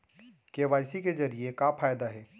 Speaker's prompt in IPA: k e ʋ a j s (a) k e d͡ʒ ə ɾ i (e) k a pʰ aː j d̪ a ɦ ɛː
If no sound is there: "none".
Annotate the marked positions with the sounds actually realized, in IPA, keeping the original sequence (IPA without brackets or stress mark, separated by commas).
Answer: i, e